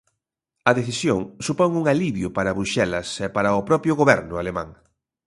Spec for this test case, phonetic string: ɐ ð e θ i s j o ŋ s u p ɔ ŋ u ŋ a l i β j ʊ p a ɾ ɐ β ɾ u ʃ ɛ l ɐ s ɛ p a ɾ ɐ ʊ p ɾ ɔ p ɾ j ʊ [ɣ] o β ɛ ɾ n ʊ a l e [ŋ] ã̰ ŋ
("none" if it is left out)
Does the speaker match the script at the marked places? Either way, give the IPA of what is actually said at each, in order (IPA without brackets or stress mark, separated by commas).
ɣ, m